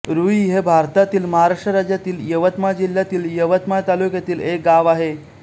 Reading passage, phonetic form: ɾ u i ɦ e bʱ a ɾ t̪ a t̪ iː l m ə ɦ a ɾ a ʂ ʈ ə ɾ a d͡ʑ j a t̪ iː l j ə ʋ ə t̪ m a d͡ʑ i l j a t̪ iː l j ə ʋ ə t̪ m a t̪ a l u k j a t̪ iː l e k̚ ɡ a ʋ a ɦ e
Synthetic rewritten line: ɾ u i ɦ e bʱ a ɾ t̪ a t̪ iː l m ə ɦ a ɾ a ʂ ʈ ə ɾ a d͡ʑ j a t̪ iː l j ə ʋ ə t̪ m a d͡ʑ i l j a t̪ iː l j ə ʋ ə t̪ m a t̪ a l u k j a t̪ iː l e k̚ ɡ a ʋ a ɦ e

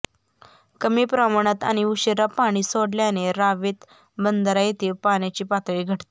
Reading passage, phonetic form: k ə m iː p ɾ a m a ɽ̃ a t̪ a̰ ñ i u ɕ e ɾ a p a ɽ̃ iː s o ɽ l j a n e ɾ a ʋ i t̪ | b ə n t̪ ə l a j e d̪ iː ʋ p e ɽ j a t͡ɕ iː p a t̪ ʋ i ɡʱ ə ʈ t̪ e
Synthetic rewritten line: k ə m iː p ɾ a m a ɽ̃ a t̪ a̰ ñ i u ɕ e ɾ a p a ɽ̃ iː s o ɽ l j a n e ɾ a ʋ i t̪ | b ə n d̪ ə ɾ a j e t̪ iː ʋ p a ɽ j a t͡ɕ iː p a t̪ ʋ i ɡʱ ə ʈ t̪ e

